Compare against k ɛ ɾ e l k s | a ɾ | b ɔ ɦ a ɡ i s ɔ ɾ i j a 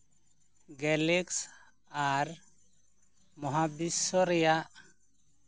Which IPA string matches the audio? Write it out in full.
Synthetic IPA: ɡ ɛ l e k s | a ɾ | m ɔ ɦ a b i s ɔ ɾ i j a